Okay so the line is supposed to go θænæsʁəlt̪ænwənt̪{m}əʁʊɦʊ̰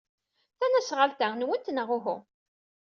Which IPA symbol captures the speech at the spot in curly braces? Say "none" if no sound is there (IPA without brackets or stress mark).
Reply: n